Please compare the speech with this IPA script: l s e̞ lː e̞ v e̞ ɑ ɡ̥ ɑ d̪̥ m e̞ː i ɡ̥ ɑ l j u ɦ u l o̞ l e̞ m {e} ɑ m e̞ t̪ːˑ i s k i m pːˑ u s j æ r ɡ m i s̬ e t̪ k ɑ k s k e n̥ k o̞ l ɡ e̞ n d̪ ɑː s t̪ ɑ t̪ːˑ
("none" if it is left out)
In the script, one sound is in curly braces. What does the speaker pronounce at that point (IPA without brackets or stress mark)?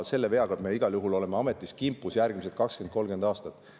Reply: e